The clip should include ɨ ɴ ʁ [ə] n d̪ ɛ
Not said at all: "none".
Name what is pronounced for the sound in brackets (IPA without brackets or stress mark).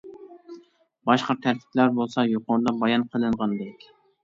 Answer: ɑ